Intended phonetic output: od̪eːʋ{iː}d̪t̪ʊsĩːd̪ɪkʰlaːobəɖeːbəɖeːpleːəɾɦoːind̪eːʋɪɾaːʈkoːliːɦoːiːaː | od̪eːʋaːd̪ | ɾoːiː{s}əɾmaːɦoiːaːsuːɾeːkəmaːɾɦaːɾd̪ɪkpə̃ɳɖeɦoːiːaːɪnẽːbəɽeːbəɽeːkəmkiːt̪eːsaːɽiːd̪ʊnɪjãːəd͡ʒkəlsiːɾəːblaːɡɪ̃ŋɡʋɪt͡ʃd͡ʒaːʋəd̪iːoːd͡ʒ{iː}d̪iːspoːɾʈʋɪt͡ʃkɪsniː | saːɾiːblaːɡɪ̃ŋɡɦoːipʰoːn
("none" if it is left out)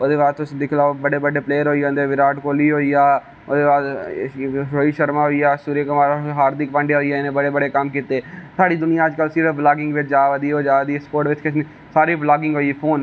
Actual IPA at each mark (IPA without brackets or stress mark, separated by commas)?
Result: aː, ʃ, aː